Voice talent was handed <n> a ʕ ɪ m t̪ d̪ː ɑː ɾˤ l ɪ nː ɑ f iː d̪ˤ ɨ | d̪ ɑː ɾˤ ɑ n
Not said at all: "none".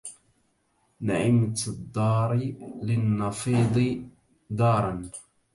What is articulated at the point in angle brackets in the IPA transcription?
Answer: n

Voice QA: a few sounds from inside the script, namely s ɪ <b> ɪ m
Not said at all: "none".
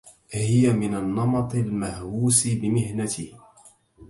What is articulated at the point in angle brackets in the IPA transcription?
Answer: b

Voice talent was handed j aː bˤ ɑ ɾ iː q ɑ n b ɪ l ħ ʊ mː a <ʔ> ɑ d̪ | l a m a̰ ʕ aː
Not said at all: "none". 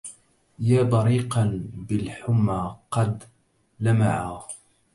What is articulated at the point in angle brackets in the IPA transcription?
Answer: q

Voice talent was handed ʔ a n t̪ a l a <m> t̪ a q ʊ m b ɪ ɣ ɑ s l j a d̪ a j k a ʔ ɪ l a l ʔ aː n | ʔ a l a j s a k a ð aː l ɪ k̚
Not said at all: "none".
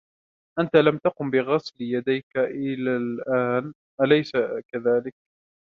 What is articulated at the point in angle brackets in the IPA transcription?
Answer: m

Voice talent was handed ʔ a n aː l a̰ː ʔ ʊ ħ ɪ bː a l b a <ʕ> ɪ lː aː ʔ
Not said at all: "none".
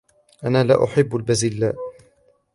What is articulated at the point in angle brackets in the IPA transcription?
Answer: z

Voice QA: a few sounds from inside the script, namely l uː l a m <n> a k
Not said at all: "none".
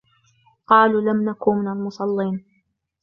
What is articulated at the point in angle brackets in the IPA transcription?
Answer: n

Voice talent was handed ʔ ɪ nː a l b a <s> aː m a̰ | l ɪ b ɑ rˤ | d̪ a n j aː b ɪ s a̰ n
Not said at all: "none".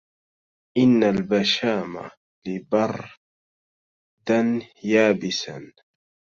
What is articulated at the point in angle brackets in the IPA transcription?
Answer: ʃ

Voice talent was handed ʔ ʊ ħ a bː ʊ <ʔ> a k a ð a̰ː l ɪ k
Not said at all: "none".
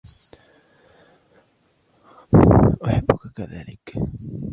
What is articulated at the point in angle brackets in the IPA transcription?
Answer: k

